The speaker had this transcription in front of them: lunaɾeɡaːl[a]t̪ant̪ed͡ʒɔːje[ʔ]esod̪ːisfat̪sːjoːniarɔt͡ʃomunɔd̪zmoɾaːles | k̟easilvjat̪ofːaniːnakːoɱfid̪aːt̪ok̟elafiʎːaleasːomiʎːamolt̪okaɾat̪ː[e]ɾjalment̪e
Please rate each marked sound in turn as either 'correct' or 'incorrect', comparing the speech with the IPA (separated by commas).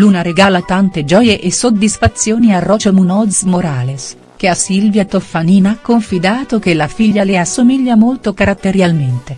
correct, correct, correct